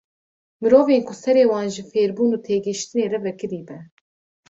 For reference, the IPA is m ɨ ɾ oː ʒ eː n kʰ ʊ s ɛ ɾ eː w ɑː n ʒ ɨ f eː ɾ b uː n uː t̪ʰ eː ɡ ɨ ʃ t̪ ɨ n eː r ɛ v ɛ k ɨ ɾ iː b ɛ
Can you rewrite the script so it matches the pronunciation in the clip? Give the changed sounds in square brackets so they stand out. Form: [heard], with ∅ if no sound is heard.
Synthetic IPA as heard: m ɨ ɾ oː [v] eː n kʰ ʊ s ɛ ɾ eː w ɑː n ʒ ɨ f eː ɾ b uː n uː t̪ʰ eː ɡ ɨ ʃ t̪ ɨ n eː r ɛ v ɛ k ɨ ɾ iː b ɛ